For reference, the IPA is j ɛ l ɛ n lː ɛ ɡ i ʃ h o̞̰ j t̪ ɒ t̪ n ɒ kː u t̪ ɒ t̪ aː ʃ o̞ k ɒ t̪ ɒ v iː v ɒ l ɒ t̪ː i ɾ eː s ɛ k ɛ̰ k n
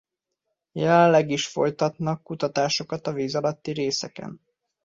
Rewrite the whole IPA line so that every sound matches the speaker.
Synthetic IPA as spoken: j ɛ l ɛ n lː ɛ ɡ i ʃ f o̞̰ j t̪ ɒ t̪ n ɒ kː u t̪ ɒ t̪ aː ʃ o̞ k ɒ t̪ ɒ v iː z ɒ l ɒ t̪ː i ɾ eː s ɛ k ɛ̰ n